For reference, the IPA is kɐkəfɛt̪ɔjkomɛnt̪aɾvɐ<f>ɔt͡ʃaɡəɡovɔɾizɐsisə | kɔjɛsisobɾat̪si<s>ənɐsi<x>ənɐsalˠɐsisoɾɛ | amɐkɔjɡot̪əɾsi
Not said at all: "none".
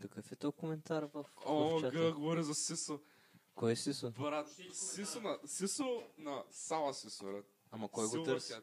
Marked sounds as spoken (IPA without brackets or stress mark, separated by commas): f, s, s